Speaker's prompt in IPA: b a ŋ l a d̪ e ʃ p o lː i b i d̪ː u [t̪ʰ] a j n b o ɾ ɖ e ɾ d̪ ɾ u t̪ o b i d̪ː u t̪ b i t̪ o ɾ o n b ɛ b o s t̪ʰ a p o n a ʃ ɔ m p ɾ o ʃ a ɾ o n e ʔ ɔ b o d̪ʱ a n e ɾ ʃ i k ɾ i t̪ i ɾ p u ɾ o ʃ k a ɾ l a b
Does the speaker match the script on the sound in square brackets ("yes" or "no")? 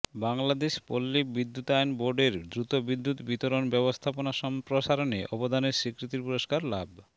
no